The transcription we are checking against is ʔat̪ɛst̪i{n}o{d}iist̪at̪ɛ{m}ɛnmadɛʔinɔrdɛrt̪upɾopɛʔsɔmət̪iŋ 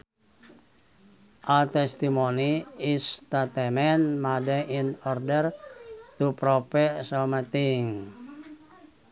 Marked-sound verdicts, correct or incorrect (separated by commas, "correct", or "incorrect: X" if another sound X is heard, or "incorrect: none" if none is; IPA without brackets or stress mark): incorrect: m, incorrect: n, correct